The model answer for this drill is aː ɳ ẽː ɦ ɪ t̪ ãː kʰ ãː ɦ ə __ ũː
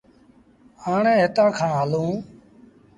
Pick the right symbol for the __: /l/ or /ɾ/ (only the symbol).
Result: l